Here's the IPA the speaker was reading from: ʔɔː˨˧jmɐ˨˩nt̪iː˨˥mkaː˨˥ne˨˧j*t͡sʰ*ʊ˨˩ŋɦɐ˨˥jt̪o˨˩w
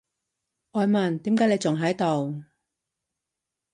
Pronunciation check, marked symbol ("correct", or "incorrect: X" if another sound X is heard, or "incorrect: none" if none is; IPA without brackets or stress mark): incorrect: t͡s